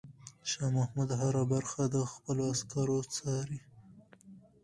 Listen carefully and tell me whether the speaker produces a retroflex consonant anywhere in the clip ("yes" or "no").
no